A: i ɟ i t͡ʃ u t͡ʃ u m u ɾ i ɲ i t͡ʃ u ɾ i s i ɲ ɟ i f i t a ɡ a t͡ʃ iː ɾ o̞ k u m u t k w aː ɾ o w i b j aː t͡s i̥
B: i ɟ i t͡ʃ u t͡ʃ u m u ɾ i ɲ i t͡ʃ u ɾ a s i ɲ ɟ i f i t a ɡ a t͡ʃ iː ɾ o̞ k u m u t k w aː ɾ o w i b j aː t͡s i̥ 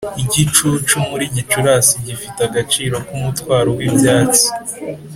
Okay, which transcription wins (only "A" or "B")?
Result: B